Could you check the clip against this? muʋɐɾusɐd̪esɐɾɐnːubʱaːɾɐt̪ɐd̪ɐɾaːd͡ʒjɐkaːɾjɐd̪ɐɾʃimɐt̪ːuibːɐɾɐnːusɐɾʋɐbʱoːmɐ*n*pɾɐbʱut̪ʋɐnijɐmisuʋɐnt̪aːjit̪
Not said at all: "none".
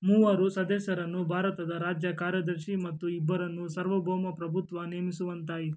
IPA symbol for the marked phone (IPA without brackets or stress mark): none